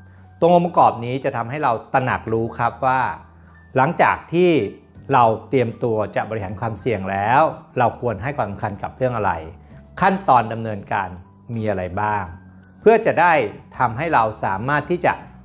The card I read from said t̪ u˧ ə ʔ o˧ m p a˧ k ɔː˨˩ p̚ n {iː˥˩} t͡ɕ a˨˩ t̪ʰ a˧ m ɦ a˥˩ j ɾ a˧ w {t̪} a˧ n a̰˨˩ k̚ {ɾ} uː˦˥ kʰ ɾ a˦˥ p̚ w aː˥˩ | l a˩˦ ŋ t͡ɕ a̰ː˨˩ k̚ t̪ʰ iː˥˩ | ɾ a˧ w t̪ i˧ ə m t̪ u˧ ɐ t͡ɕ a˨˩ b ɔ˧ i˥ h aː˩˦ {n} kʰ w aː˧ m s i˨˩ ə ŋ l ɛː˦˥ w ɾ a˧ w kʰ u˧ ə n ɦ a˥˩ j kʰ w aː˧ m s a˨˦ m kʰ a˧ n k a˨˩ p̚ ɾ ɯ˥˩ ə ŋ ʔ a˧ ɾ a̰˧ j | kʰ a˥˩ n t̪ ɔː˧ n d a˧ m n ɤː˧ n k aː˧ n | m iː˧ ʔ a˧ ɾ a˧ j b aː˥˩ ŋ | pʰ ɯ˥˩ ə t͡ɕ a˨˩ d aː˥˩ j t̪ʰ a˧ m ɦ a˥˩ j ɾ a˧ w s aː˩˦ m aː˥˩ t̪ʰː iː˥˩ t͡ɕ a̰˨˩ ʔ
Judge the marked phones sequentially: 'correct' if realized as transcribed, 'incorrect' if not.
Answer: incorrect: iː˦˥, correct, correct, correct

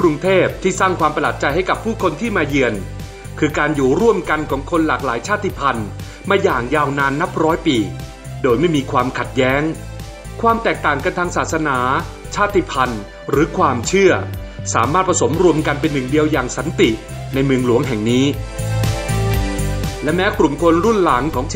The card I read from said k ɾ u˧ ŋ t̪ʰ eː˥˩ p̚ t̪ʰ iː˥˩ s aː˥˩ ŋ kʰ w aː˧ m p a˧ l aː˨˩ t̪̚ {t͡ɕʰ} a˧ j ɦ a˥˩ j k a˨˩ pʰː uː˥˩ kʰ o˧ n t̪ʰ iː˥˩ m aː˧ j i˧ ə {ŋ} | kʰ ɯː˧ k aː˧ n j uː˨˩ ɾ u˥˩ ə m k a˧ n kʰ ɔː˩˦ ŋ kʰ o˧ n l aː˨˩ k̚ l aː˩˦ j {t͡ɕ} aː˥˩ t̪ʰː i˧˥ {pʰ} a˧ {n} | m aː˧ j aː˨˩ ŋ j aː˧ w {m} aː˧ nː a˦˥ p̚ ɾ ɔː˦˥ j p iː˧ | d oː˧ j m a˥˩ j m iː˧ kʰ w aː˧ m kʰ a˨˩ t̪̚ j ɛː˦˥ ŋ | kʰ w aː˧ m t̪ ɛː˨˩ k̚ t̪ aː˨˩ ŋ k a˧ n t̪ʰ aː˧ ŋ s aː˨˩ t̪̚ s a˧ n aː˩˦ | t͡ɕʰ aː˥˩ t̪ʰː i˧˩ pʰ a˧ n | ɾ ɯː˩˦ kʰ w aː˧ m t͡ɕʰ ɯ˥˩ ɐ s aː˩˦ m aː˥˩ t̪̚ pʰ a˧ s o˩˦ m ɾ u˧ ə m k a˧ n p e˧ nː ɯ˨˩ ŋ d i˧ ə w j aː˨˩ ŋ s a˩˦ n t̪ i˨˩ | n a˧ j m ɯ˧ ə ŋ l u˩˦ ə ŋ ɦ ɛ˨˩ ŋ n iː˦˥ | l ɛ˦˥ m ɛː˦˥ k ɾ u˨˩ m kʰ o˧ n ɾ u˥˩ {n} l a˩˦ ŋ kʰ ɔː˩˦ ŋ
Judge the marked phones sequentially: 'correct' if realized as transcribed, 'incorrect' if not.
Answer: incorrect: t͡ɕ, incorrect: n, incorrect: t͡ɕʰ, correct, correct, incorrect: n, correct

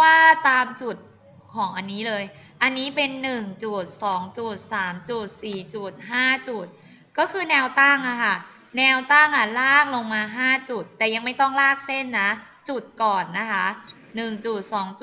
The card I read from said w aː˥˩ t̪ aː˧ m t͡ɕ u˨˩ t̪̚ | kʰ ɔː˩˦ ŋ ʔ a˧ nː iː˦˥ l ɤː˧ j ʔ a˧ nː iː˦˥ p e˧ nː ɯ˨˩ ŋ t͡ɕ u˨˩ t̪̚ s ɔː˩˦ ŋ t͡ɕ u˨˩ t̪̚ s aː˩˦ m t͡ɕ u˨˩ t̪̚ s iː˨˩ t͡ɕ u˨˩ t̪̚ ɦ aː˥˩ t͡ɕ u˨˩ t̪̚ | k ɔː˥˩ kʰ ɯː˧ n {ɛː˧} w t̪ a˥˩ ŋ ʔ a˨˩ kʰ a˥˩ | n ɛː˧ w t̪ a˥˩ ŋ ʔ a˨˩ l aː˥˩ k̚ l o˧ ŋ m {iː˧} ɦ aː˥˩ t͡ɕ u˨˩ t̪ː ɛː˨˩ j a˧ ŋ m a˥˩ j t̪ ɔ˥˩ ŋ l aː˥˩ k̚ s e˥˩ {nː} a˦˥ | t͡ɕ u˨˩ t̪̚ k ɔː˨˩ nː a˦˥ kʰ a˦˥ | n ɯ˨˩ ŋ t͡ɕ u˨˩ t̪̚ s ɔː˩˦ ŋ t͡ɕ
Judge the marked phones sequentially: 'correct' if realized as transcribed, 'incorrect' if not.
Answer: correct, incorrect: aː˧, correct

